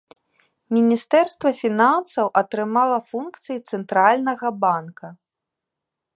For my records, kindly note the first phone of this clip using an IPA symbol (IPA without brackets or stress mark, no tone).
mʲ